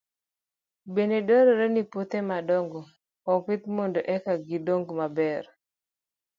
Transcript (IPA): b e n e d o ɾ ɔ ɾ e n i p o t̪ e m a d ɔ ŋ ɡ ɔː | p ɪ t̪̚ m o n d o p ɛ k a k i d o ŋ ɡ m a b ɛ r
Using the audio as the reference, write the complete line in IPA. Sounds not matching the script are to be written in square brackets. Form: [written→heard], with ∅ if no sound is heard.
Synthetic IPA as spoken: b e n e d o ɾ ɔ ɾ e n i p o t̪ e m a d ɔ ŋ ɡ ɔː | p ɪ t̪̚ m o n d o [p→ʔ] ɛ k a [k→ɡ] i d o ŋ ɡ m a b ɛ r